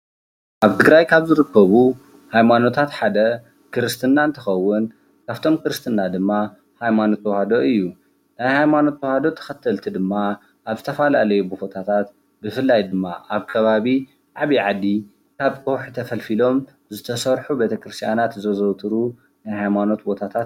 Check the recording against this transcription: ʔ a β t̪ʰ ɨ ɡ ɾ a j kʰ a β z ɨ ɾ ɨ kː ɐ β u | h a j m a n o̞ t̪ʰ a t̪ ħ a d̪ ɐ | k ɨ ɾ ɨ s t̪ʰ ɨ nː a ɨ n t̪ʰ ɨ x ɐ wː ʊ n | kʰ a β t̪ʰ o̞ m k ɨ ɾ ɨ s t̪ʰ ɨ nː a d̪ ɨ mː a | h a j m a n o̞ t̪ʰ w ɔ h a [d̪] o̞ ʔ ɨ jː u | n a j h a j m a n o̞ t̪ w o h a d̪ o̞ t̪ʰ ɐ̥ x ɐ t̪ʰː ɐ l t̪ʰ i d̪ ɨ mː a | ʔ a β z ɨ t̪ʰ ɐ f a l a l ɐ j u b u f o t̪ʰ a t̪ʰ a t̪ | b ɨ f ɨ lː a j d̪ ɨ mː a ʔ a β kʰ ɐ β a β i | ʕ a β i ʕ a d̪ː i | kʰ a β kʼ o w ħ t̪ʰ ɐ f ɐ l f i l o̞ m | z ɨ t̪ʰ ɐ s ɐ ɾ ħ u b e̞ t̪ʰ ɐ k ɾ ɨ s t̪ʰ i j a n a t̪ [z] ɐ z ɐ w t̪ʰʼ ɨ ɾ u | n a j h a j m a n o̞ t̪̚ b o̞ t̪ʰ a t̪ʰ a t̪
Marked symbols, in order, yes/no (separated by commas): yes, yes